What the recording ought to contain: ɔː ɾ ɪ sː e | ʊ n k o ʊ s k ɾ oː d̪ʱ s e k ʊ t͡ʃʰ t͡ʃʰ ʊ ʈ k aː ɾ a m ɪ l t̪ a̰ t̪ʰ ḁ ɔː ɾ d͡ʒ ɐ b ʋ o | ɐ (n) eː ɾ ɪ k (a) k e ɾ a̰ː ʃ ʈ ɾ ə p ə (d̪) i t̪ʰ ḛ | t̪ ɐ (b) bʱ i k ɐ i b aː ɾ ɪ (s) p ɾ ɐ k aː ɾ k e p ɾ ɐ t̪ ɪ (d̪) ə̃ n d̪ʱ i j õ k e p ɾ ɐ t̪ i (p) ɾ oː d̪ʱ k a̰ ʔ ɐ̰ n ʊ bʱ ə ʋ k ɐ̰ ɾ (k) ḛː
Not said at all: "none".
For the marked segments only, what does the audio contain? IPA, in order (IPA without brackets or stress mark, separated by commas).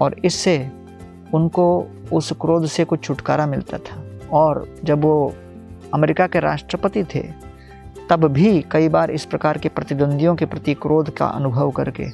m, a, t̪, b, s, d̪, k, k